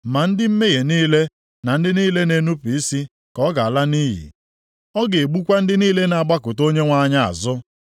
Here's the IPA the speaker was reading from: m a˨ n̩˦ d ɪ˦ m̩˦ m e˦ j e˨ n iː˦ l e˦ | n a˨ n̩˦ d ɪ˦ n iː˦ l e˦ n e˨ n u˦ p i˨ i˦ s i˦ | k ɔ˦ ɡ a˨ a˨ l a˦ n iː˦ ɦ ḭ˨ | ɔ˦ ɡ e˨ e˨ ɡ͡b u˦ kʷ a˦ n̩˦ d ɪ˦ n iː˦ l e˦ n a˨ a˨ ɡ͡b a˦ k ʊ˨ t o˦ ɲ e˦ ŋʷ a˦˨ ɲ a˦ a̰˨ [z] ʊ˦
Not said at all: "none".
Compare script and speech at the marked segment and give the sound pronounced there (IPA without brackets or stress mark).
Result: z